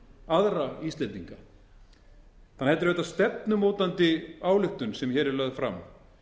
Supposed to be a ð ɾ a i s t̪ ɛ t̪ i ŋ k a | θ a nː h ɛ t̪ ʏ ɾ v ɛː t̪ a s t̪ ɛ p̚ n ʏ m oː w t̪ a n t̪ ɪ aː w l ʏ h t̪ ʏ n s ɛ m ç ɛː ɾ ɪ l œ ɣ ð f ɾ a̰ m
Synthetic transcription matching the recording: a ð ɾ a i s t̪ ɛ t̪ i ŋ k a | θ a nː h ɛ t̪ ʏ ɾ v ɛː t̪ a s t̪ ɛ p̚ n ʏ m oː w t̪ a n t̪ ɪ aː w l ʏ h t̪ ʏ n s ɛ m ç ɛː ɾ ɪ l œ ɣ ð f ɾ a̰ m